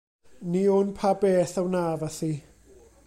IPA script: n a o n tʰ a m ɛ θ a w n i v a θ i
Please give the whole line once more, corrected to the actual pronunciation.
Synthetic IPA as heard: n i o n pʰ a b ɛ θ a w n a v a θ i